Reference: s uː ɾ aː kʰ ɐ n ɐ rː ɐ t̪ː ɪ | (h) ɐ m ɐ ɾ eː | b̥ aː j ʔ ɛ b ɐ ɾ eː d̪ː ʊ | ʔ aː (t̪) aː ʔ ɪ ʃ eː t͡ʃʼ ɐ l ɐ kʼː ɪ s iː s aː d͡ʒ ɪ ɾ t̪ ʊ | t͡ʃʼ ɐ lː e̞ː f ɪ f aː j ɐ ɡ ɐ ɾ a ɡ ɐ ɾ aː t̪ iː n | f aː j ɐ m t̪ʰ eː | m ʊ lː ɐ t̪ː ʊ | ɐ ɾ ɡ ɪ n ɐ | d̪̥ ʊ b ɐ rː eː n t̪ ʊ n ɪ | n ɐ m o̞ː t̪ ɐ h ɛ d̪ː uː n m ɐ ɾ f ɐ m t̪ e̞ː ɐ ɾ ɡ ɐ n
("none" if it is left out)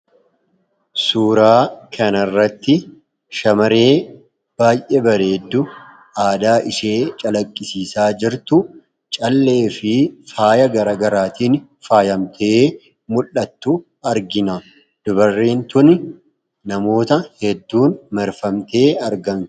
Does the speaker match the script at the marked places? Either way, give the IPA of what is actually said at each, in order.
ʃ, d̪

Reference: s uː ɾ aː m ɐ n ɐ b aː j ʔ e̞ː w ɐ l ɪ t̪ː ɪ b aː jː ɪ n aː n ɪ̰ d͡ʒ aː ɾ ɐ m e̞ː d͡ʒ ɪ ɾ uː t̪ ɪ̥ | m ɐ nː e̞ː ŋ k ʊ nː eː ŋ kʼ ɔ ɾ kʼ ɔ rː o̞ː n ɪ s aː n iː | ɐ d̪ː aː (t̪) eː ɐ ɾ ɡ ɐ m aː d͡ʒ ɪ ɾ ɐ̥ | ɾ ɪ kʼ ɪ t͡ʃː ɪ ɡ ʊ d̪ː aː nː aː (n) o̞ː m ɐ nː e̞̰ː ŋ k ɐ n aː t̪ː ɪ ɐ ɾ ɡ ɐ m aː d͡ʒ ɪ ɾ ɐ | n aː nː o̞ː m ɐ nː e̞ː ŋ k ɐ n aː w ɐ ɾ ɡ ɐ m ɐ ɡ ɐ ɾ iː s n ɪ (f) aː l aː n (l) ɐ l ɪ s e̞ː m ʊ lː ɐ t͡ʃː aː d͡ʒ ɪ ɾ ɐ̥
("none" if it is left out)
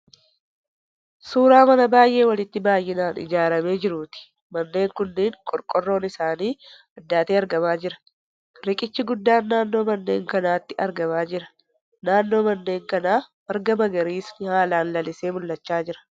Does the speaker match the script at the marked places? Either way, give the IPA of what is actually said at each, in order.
t̪, nː, h, l

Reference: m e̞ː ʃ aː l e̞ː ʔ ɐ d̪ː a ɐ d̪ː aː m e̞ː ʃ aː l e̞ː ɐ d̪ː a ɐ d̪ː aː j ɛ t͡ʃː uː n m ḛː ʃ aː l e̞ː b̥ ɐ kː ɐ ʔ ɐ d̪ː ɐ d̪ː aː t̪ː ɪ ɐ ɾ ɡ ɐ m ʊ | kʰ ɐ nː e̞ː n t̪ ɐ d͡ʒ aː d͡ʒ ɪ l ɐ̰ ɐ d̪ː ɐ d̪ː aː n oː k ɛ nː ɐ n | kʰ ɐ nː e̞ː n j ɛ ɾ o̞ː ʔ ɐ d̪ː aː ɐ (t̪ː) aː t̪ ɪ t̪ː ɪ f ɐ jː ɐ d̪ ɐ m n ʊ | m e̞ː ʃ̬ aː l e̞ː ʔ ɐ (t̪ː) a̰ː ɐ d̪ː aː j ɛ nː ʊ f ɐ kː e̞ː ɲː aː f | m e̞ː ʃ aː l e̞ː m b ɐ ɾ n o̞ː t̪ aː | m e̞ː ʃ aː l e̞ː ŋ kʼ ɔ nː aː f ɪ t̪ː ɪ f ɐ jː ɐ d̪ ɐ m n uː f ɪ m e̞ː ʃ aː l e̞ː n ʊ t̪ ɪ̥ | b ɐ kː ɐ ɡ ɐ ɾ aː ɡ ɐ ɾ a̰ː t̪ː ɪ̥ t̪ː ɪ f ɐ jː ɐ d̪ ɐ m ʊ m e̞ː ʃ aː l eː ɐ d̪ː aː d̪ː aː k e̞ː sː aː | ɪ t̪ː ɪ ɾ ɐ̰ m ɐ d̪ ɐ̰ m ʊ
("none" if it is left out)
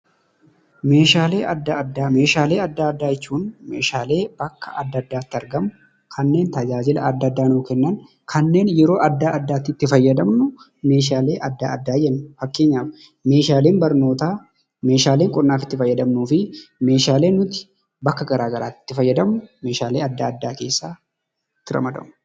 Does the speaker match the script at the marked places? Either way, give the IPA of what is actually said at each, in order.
d̪ː, d̪ː

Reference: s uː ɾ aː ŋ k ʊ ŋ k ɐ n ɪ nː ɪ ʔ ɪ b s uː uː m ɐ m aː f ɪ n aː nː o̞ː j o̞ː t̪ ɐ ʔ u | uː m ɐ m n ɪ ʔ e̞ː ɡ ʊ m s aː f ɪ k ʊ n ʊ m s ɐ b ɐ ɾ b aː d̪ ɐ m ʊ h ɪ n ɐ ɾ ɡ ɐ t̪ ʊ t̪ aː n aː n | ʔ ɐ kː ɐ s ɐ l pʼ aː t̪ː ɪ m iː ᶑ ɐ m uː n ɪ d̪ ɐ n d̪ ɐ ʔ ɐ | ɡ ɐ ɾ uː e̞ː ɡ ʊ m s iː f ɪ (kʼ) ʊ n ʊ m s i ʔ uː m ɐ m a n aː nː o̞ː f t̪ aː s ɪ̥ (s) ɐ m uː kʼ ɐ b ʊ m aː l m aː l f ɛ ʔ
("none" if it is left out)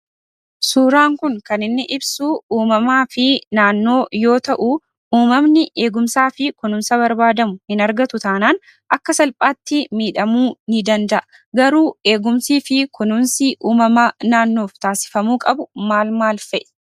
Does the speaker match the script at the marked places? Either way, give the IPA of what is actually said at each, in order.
k, f

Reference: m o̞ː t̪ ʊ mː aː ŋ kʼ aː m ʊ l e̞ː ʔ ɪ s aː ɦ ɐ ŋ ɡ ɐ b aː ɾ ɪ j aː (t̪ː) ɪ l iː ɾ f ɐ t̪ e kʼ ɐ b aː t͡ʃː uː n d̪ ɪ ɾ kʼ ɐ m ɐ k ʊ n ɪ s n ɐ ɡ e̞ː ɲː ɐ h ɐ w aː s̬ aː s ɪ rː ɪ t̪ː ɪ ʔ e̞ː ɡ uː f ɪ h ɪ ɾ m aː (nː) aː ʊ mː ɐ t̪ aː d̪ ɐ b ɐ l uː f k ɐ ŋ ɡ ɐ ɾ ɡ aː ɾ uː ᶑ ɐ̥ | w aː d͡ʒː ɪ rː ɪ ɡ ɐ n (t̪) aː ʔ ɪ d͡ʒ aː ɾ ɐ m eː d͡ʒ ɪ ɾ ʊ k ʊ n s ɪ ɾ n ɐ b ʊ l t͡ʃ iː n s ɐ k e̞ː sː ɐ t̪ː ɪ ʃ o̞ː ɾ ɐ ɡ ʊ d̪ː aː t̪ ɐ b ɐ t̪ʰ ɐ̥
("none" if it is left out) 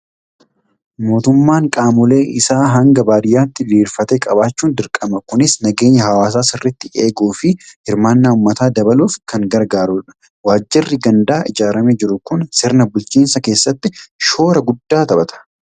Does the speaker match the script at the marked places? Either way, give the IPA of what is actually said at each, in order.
t̪ː, nː, d̪

